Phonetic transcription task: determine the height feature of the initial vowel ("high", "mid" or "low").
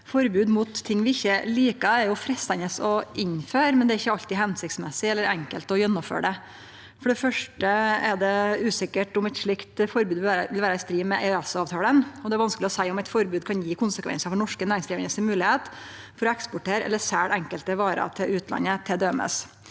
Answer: mid